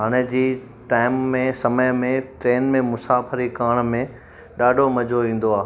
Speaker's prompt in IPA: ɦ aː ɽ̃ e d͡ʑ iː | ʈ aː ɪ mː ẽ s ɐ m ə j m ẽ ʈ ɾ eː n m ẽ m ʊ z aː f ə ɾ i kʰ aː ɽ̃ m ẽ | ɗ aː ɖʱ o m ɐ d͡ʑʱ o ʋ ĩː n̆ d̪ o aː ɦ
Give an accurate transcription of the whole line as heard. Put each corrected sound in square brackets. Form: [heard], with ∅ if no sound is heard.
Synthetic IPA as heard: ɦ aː ɽ̃ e d͡ʑ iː | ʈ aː ɪ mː ẽ s ɐ m ə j m ẽ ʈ ɾ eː n m ẽ m ʊ [s] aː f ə ɾ i [k] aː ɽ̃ m ẽ | ɗ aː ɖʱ o m ɐ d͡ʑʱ o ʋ ĩː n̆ d̪ o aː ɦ